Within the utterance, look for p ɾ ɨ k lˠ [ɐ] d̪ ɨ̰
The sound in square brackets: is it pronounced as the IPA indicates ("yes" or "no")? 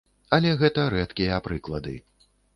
yes